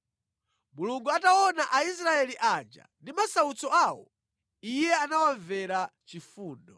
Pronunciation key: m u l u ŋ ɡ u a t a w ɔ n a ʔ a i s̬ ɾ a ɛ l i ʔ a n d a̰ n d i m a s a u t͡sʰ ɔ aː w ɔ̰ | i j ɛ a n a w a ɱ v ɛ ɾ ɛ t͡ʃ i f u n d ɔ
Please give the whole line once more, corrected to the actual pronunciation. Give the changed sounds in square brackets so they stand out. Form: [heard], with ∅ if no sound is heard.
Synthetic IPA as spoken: m u l u ŋ ɡ u a t a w ɔ n a ʔ a i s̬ ɾ a ɛ l i ʔ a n [d͡ʒ] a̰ n d i m a s a u [t͡s] ɔ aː w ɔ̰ | i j ɛ a n a w a ɱ v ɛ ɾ [a] t͡ʃ i f [uː] n d ɔ